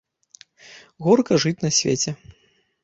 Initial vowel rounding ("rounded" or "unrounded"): rounded